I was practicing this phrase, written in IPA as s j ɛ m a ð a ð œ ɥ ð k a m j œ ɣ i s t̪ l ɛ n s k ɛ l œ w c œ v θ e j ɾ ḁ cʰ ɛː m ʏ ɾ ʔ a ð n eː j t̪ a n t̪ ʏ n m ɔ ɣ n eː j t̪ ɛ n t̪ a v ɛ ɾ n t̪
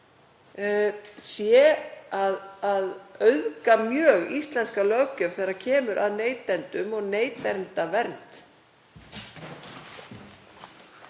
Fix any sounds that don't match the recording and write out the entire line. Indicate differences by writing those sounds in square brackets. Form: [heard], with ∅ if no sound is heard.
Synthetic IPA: s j ɛ [∅] a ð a ð œ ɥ ð k a m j [œː] ɣ i s t̪ l ɛ n s k [a] l œ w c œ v θ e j ɾ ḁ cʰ ɛː m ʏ ɾ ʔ a ð n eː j t̪ [ɛ] n t̪ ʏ [∅] m ɔ ɣ n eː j t̪ ɛ n t̪ a v ɛ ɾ n t̪